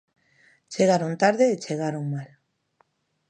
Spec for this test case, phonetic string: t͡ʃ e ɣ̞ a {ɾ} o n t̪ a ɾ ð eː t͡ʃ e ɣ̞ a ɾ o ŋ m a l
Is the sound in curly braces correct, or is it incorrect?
correct